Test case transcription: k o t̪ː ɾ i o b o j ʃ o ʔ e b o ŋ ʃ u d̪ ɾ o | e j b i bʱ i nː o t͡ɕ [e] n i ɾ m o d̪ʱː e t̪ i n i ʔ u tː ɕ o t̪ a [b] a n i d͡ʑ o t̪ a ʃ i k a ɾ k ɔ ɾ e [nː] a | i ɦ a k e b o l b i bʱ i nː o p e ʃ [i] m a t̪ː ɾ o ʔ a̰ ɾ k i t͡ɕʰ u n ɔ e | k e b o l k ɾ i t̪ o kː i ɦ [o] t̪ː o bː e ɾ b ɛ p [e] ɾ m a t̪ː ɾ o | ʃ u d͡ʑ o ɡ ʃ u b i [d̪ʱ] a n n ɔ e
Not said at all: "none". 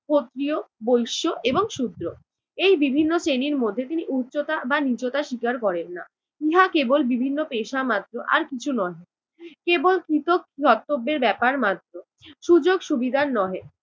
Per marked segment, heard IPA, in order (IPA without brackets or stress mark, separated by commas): e, b, nː, a, ɔ, a, d̪ʱ